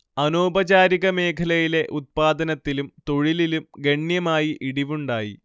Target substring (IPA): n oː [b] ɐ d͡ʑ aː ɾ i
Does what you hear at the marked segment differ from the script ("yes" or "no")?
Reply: no